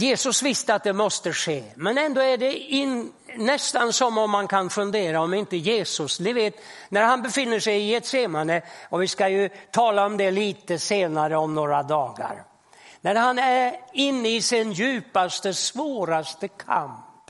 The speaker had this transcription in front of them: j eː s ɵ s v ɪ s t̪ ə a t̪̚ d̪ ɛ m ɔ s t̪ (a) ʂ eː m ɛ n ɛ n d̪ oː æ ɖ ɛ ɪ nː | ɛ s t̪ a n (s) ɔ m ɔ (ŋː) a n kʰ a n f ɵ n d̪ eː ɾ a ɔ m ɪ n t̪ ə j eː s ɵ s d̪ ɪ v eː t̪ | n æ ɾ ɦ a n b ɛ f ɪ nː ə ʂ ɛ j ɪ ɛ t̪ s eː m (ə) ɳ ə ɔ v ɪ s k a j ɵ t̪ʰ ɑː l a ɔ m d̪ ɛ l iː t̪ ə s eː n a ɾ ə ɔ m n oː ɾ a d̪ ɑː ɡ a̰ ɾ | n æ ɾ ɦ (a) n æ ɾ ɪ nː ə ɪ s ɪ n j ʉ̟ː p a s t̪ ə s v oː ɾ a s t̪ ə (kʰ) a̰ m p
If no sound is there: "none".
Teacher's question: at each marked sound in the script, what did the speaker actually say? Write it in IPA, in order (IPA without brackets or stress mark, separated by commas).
ə, s, mː, a, a, kʰ